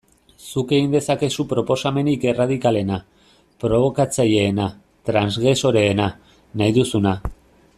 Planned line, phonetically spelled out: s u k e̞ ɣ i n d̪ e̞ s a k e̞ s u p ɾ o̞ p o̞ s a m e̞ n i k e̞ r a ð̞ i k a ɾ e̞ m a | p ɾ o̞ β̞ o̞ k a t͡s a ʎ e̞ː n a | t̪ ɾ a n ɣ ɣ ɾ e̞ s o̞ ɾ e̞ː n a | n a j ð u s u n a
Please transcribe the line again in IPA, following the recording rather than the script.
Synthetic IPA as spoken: s u k e̞ ɣ i n d̪ e̞ s a k e̞ s u p ɾ o̞ p o̞ s a m e̞ n i k e̞ r a ð̞ i k a l e̞ n a | p ɾ o̞ β̞ o̞ k a t͡s a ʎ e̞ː n a | t̪ ɾ a n z ɣ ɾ e̞ s o̞ ɾ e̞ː n a | n a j ð u s u n a